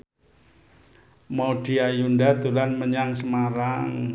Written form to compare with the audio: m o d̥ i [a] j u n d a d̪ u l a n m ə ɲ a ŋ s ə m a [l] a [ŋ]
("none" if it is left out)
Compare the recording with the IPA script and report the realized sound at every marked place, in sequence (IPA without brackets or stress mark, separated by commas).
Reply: a, ɾ, ŋ